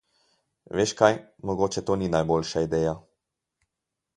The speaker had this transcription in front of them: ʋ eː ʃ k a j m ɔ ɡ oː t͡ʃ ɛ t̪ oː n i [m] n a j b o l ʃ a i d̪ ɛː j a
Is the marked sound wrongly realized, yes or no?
yes